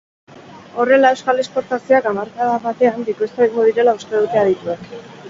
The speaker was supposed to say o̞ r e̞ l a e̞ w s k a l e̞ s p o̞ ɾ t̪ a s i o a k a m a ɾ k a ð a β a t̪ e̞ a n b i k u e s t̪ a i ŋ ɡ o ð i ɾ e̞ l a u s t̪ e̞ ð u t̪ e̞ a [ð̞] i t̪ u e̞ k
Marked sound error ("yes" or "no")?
no